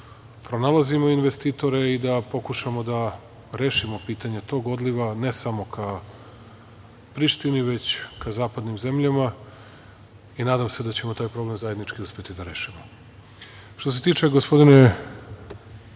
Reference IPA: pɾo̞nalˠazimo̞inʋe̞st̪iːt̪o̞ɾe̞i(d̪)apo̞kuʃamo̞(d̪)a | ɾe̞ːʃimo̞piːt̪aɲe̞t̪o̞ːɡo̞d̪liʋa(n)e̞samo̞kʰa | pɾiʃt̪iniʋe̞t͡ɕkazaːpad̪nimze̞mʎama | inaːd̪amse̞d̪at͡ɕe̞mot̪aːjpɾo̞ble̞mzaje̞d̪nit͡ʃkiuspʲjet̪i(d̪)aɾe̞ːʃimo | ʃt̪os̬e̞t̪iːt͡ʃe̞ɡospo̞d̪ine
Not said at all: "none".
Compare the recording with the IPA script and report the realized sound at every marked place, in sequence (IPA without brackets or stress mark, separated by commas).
d̪, d̪, n, d̪